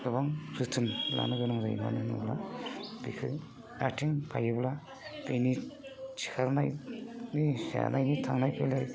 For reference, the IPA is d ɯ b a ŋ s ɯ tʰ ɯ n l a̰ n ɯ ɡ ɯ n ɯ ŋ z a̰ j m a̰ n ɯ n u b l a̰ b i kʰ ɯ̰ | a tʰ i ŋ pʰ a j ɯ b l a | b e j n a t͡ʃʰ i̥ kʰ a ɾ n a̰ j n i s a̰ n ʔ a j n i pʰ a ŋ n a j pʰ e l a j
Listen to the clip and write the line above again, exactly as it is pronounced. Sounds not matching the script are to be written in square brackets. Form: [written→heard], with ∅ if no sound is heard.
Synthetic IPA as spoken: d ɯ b a ŋ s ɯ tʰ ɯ n l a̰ n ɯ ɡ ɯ n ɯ ŋ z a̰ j m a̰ n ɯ n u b l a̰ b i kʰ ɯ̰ | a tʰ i ŋ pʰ a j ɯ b l a | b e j n [a→i] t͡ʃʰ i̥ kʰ a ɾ n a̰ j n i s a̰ n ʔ a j n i [pʰ→tʰ] a ŋ n a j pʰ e l a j